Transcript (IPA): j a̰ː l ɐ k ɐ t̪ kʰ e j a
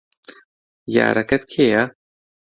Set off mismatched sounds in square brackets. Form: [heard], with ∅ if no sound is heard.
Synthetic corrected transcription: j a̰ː [ɾ] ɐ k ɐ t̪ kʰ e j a